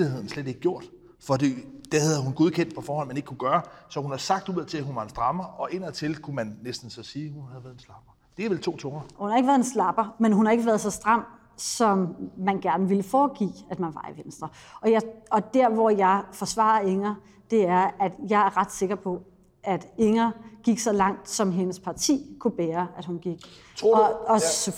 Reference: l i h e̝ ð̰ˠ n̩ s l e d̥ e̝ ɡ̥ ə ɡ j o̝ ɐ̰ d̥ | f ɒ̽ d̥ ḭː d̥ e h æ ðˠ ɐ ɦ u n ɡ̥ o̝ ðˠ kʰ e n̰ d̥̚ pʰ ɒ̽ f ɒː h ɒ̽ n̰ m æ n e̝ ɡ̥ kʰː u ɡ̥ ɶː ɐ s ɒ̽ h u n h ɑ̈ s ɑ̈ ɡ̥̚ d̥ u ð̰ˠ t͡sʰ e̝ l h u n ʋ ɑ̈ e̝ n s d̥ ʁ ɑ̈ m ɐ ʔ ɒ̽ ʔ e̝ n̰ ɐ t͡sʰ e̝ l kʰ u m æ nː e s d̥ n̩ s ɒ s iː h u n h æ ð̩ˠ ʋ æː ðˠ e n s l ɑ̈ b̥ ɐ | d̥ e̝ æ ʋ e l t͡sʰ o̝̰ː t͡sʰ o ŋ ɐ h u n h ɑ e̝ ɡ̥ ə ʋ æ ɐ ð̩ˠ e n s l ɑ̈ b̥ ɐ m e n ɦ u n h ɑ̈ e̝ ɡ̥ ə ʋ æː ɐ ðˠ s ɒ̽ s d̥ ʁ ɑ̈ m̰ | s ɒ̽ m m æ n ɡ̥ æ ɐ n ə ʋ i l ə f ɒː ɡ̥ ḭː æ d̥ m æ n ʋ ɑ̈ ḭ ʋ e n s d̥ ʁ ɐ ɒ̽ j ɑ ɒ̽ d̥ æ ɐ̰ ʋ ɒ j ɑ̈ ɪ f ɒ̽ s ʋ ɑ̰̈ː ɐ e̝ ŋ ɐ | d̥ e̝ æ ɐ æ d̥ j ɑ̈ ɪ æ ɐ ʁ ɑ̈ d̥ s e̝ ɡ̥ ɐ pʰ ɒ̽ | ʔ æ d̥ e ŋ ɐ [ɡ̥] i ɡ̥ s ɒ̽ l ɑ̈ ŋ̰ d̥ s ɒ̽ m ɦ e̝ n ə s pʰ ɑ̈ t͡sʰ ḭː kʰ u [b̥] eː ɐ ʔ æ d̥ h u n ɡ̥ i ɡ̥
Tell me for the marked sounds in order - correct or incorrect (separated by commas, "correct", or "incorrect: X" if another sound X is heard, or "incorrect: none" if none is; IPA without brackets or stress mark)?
correct, correct